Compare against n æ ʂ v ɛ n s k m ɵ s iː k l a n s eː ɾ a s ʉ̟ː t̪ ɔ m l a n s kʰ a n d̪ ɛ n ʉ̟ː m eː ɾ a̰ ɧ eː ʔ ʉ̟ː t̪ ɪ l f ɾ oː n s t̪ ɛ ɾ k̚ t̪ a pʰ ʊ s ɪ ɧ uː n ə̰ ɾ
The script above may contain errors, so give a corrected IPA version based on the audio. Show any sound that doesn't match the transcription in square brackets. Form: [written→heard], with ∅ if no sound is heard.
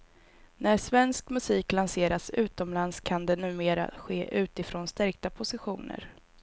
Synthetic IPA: n æ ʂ v ɛ n s k m ɵ s iː k l a n s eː ɾ a s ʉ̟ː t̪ ɔ m l a n s kʰ a n d̪ ɛ n ʉ̟ː m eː ɾ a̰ ɧ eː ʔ ʉ̟ː t̪ ɪ [l→∅] f ɾ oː n s t̪ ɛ ɾ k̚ t̪ a pʰ ʊ s ɪ ɧ uː n ə̰ ɾ